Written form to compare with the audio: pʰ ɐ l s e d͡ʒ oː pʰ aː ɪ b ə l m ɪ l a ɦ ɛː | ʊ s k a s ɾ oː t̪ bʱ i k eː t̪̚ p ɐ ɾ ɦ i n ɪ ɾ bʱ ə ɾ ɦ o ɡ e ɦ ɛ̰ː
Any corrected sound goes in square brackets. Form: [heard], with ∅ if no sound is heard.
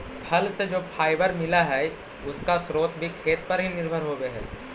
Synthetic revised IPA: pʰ ɐ l s e d͡ʒ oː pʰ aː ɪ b ə [ɾ] m ɪ l a ɦ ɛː | ʊ s k a s ɾ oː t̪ bʱ i [kʰ] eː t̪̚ p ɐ ɾ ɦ i n ɪ ɾ bʱ ə ɾ ɦ o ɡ e ɦ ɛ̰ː